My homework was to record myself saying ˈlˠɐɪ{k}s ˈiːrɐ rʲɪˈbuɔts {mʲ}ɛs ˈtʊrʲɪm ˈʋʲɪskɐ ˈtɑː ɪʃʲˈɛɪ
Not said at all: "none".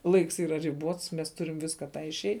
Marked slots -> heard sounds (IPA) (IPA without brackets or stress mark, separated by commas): k, mʲ